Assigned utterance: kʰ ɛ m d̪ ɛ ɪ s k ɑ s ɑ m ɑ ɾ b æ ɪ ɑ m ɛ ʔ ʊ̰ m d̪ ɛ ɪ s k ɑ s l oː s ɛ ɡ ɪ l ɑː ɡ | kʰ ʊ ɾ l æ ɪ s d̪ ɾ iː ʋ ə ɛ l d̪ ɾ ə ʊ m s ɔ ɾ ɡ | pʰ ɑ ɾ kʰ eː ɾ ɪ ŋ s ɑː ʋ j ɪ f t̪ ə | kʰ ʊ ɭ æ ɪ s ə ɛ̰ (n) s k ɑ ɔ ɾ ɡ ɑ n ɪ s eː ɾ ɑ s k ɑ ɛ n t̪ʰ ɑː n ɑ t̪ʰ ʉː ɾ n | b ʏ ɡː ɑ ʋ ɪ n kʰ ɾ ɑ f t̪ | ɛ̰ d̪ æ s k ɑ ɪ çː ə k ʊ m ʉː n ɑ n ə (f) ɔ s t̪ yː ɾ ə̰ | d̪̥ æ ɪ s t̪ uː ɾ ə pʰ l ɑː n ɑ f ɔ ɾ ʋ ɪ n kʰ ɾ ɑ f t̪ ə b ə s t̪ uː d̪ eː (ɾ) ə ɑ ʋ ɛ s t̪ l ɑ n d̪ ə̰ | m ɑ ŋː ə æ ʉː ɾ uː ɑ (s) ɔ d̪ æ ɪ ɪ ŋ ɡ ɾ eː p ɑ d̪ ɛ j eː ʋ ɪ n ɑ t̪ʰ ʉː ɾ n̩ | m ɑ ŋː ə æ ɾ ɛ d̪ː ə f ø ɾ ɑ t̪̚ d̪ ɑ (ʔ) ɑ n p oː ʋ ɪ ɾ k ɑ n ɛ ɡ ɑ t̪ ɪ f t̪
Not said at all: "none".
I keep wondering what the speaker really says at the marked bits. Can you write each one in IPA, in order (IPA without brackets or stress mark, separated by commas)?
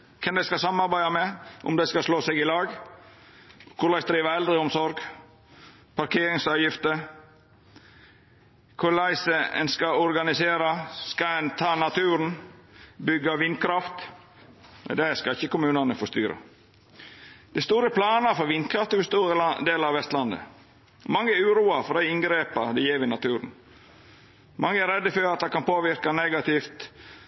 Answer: n, f, l, f, k